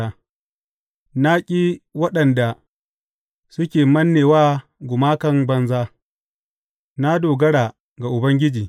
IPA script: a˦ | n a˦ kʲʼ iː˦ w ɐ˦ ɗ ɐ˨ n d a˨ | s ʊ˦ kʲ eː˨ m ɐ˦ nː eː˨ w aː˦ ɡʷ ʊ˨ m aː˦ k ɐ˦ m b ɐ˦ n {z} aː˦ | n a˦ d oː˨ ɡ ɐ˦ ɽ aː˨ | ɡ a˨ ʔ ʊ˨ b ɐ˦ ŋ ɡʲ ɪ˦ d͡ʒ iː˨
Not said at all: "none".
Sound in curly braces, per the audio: z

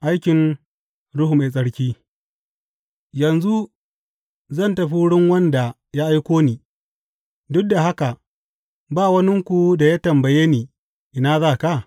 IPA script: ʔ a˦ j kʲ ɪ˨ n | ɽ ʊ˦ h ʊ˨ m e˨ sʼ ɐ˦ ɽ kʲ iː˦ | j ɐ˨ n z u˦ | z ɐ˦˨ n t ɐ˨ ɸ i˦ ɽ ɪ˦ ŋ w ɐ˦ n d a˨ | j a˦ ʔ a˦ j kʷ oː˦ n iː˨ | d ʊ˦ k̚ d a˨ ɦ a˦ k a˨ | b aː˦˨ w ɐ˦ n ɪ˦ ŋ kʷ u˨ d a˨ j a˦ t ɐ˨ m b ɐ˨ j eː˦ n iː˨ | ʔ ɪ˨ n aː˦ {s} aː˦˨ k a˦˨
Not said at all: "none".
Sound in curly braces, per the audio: z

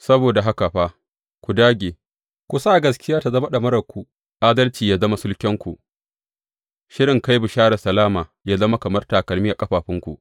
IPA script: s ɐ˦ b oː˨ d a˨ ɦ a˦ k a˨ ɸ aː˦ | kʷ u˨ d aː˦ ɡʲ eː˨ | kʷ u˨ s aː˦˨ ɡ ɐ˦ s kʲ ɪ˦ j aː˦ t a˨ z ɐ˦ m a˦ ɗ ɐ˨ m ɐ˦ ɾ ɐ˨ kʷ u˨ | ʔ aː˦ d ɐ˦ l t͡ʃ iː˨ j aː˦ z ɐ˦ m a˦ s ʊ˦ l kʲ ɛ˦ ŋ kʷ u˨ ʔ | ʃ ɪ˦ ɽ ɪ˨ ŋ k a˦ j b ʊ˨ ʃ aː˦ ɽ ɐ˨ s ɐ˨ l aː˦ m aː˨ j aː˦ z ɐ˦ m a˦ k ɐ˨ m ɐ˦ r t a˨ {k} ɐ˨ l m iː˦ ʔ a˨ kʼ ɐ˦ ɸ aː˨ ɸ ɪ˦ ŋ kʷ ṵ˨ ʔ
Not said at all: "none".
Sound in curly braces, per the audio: k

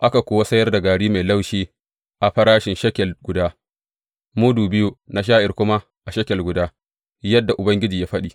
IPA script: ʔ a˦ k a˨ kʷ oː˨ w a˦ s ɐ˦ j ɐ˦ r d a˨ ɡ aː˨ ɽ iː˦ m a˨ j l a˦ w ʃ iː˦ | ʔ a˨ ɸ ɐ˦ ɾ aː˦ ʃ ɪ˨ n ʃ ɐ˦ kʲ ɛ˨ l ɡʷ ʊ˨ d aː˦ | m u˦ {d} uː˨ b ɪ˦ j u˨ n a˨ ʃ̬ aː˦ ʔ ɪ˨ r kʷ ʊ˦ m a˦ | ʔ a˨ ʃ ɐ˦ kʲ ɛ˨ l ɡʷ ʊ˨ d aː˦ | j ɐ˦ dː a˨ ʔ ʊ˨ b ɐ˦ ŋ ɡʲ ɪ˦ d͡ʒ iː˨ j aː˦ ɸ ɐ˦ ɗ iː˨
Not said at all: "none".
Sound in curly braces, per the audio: d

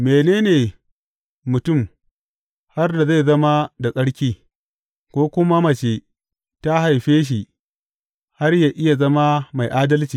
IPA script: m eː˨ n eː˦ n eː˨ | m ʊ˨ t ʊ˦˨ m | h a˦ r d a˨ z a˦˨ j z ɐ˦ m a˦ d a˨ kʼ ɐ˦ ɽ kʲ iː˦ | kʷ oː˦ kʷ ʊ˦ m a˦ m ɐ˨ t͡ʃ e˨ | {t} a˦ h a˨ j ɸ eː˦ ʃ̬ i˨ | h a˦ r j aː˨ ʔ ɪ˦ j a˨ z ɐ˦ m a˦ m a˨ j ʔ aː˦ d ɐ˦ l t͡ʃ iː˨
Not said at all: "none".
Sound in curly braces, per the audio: t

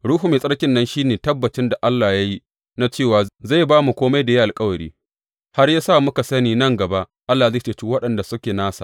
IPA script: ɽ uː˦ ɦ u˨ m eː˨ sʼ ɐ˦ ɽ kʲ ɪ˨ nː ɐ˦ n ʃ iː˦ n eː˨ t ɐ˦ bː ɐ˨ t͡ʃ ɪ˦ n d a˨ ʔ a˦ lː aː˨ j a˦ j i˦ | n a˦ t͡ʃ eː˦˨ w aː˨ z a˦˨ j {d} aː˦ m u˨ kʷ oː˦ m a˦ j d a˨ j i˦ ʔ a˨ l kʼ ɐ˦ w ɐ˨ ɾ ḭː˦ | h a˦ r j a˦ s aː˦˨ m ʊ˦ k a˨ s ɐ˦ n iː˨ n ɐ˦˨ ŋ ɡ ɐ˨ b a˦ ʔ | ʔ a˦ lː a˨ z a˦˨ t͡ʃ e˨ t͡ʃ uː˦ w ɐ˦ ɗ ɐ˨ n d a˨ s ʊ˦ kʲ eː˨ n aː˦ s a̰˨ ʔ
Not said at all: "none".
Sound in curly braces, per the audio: b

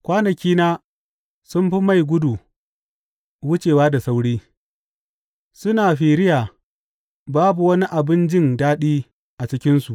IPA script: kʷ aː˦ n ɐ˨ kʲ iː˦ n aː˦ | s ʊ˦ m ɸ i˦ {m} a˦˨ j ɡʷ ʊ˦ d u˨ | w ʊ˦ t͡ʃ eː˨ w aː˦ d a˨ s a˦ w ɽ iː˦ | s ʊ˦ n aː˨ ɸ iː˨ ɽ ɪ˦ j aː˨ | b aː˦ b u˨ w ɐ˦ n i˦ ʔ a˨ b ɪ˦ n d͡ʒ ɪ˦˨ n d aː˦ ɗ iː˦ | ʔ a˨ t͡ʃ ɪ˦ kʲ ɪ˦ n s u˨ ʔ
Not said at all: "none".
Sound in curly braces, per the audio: m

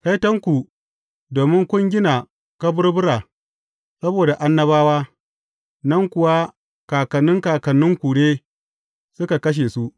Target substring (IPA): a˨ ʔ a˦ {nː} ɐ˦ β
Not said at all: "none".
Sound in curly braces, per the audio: nː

